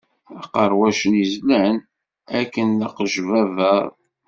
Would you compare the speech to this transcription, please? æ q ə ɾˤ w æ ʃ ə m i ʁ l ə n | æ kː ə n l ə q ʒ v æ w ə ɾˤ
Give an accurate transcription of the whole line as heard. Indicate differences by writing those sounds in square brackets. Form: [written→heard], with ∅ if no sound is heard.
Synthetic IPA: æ q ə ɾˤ w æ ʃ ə [m→n] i [ʁ→z] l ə n | æ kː ə n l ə q ʒ v æ [w→v] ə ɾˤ